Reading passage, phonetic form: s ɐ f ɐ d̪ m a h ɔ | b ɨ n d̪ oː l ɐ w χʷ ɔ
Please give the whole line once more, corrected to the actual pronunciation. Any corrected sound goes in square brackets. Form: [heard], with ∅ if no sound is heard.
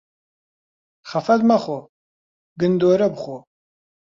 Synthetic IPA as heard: [χ] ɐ f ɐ d̪ m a [χ] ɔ | [ɡ] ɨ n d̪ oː [ɾ] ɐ [b] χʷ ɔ